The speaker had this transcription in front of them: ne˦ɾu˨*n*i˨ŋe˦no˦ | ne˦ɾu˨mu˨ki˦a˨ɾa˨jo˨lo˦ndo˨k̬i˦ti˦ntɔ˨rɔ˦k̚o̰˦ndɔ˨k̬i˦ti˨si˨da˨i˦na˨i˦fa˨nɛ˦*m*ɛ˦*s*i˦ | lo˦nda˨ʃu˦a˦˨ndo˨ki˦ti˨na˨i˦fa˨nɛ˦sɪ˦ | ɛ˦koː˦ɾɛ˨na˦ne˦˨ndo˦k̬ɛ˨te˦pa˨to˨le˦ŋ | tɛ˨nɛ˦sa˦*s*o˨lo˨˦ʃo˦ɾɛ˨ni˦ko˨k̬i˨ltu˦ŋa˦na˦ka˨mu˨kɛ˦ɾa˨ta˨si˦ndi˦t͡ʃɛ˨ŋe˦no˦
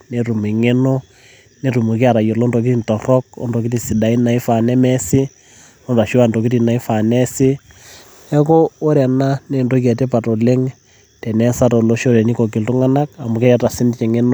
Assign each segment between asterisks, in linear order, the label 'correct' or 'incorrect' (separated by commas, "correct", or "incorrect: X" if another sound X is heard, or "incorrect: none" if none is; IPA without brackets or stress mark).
incorrect: m, correct, correct, incorrect: t